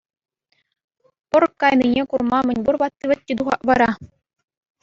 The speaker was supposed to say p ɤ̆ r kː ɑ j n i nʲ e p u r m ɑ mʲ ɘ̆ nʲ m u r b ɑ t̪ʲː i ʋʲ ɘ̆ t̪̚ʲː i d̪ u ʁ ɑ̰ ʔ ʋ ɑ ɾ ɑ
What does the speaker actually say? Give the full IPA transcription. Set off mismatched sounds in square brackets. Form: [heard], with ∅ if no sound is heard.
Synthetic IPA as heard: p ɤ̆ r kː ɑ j n i nʲ e [k] u r m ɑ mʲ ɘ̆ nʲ [b] u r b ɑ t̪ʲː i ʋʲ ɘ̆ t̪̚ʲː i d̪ u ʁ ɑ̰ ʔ ʋ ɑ ɾ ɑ